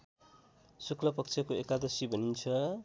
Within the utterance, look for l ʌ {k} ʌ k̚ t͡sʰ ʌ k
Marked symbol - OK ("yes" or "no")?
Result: no